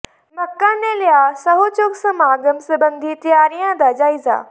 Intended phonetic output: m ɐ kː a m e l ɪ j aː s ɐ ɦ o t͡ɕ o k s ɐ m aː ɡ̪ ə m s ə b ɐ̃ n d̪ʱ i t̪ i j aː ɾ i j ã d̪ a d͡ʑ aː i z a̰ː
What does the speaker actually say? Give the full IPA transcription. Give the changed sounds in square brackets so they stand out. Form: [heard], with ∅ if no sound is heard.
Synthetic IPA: m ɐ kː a [n] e l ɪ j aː s ɐ ɦ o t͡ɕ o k s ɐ m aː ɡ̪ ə m s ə b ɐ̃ n d̪ʱ i t̪ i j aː ɾ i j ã d̪ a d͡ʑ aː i z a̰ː